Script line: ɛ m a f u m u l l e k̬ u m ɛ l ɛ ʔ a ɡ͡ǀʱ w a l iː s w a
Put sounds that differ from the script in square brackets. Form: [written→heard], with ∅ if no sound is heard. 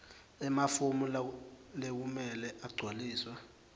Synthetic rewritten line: ɛ m a f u m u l l e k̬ u m ɛ l ɛ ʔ a ɡ͡ǀʱ w a l iː s w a